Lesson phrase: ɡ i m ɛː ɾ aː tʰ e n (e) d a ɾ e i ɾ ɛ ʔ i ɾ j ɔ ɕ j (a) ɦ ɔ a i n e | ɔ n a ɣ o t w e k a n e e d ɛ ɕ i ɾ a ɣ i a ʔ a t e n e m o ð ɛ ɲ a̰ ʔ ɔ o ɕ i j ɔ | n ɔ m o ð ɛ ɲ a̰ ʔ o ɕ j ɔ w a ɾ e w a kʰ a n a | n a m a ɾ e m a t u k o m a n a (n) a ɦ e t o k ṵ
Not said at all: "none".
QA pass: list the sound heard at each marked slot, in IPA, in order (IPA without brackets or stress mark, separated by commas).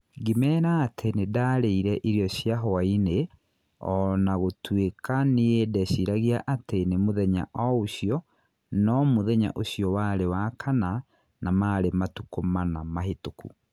e, a, m